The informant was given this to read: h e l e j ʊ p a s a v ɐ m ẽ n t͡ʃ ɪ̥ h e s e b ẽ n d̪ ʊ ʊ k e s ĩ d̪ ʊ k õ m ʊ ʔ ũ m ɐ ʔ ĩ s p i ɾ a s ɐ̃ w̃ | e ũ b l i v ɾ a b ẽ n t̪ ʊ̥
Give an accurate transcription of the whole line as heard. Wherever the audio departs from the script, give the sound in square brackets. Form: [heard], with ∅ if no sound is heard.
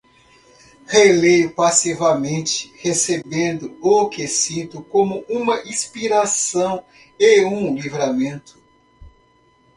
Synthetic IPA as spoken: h e l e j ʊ p a s [i] v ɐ m ẽ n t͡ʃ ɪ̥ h e s e b ẽ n d̪ ʊ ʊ k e s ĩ [t̪] ʊ k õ m ʊ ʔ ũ m ɐ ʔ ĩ s p i ɾ a s ɐ̃ w̃ | e ũ [∅] l i v ɾ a [m] ẽ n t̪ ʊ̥

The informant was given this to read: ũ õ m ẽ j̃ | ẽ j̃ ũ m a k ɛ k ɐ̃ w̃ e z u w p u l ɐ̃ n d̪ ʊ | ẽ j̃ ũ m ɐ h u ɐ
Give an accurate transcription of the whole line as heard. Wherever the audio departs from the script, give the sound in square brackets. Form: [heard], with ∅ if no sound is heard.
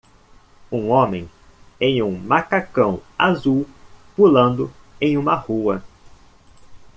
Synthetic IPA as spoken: ũ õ m ẽ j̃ | ẽ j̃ ũ m a k [a] k ɐ̃ w̃ [a] z u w p u l ɐ̃ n d̪ ʊ | ẽ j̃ ũ m ɐ h u ɐ

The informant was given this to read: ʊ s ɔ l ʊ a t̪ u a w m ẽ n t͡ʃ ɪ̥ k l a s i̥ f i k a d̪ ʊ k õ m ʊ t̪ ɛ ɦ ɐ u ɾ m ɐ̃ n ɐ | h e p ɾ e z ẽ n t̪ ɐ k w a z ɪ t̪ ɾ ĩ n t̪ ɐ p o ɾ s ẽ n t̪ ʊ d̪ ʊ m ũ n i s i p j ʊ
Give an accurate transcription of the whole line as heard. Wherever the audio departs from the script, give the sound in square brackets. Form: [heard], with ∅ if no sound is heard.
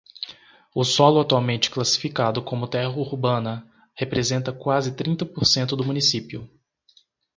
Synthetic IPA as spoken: ʊ s ɔ l ʊ a t̪ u a w m ẽ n t͡ʃ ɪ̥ k l a s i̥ f i k a d̪ ʊ k õ m ʊ t̪ ɛ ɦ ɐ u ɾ [b] ɐ̃ n ɐ | h e p ɾ e z ẽ n t̪ ɐ k w a z ɪ t̪ ɾ ĩ n t̪ ɐ p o ɾ s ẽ n t̪ ʊ d̪ ʊ m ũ n i s i p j ʊ

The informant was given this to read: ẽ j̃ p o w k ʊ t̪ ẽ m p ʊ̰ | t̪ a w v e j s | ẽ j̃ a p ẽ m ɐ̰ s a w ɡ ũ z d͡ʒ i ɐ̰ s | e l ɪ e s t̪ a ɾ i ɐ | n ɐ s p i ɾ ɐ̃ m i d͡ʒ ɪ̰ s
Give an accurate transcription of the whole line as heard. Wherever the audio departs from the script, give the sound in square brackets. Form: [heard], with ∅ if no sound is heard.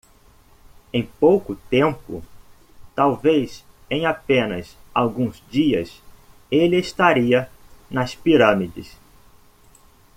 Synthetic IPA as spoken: ẽ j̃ p o w k ʊ t̪ ẽ m p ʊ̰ | t̪ a w v e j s | ẽ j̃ a p ẽ [n] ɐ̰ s a w ɡ ũ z d͡ʒ i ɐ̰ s | e l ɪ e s t̪ a ɾ i ɐ | n ɐ s p i ɾ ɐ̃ m i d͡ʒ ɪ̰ s

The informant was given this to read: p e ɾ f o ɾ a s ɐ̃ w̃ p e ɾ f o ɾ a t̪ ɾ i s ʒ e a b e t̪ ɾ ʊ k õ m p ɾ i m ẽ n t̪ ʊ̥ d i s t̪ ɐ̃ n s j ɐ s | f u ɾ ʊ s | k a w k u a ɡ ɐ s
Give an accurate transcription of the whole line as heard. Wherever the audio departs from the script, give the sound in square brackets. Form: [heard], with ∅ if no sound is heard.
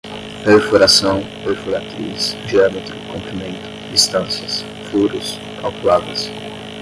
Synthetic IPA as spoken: p e ɾ f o ɾ a s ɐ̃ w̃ p e ɾ f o ɾ a t̪ ɾ i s ʒ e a [m] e t̪ ɾ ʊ k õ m p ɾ i m ẽ n t̪ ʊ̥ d i s t̪ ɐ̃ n s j ɐ s | f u ɾ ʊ s | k a w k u a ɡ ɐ s

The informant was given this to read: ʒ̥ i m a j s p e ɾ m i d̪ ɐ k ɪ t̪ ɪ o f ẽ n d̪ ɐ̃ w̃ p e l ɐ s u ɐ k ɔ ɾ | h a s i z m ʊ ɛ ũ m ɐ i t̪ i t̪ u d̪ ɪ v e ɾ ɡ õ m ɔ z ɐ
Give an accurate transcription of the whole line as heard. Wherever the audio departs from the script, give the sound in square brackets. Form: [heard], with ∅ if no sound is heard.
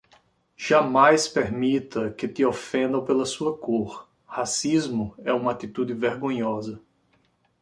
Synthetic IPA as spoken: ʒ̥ [a] m a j s p e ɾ m i [t̪] ɐ k ɪ t̪ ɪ o f ẽ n d̪ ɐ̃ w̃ p e l ɐ s u ɐ k [o] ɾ | h a s i z m ʊ ɛ ũ m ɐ [a] t̪ i t̪ u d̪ ɪ v e ɾ ɡ õ [ɲ] ɔ z ɐ

